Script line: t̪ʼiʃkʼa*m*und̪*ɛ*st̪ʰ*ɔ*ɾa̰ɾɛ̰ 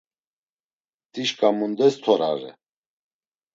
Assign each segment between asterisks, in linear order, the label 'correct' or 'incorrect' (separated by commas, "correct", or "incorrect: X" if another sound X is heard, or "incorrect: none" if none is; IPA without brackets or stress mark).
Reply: correct, correct, correct